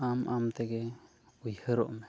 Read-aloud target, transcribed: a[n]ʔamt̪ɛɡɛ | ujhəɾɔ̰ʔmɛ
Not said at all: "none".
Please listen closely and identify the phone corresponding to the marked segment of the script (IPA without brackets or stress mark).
m